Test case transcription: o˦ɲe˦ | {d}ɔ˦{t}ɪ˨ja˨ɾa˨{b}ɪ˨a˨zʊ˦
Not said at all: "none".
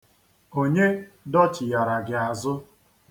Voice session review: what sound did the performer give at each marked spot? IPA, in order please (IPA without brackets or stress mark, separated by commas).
d, t͡ʃ, ɡ